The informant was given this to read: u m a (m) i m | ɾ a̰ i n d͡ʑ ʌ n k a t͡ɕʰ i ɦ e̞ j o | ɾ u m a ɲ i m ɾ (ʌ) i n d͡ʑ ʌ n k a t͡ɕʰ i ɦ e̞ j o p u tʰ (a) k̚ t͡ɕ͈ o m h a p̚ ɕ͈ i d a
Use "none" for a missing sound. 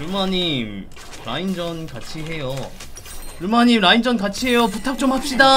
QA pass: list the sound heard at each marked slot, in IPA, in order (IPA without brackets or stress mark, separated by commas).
ɲ, a, a